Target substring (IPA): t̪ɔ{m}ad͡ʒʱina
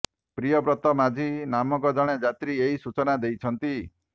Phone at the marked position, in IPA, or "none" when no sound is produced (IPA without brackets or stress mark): m